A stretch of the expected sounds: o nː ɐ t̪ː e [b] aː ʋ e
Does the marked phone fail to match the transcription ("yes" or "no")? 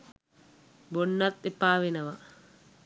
yes